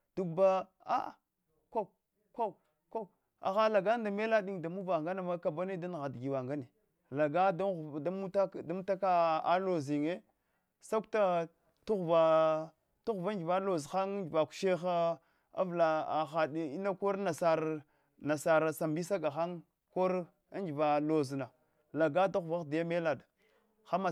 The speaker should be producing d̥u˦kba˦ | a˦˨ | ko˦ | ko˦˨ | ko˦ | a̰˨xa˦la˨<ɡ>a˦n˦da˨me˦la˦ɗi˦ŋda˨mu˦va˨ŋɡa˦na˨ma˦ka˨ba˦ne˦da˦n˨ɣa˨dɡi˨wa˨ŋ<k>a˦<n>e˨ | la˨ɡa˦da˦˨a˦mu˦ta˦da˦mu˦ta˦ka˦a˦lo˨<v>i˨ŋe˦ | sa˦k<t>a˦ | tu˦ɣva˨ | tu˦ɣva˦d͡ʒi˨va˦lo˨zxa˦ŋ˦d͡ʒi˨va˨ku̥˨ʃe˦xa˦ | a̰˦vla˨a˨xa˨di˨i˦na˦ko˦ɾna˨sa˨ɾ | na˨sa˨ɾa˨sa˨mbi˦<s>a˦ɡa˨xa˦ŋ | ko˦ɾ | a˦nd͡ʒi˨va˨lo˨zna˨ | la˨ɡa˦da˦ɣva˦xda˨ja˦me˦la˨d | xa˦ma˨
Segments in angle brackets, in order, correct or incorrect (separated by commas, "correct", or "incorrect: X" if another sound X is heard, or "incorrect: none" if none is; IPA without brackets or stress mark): correct, incorrect: ɡ, correct, incorrect: z, correct, correct